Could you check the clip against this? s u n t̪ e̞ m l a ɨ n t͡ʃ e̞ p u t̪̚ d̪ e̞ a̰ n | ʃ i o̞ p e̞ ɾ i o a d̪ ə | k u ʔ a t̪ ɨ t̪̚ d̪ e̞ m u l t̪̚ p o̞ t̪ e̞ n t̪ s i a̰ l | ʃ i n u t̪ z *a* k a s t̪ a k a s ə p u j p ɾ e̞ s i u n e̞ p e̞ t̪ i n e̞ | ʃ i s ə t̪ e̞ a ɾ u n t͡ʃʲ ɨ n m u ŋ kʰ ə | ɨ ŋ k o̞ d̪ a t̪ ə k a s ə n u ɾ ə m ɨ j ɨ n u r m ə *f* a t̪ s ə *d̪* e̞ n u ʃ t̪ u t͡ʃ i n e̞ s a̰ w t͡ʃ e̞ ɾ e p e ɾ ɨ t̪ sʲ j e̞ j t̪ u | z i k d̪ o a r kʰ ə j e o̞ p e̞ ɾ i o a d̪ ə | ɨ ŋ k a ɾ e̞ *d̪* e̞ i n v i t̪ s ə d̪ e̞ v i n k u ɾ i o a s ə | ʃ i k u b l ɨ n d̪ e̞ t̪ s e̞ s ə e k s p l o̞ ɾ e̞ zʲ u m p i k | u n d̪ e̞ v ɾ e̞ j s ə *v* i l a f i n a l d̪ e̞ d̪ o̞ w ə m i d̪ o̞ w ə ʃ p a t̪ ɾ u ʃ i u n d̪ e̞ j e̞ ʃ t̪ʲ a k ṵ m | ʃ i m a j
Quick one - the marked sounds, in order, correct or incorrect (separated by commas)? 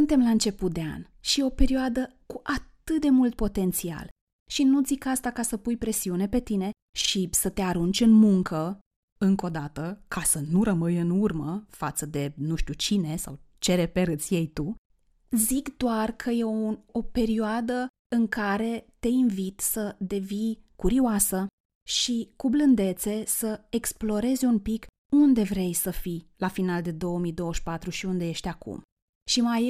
incorrect, correct, correct, incorrect, incorrect